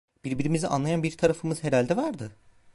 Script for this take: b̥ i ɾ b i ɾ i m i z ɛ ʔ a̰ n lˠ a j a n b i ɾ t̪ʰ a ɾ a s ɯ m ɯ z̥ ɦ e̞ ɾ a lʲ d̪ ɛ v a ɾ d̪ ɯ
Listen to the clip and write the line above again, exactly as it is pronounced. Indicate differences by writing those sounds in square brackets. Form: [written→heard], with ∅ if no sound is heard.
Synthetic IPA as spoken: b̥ i ɾ b i ɾ i m i z [ɛ→i] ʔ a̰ n lˠ a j a n b i ɾ t̪ʰ a ɾ a [s→f] ɯ m ɯ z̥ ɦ e̞ ɾ a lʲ d̪ ɛ v a ɾ d̪ ɯ